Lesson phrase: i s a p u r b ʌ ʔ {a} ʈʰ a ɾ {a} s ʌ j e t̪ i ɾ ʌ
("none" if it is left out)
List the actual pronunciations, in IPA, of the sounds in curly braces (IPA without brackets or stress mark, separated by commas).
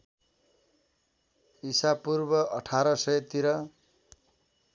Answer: ʌ, ʌ